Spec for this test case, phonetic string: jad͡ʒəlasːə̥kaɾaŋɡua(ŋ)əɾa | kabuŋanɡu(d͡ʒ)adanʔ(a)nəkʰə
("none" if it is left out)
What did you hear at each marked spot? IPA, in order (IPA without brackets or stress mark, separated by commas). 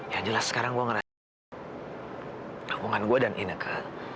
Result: ŋ, none, i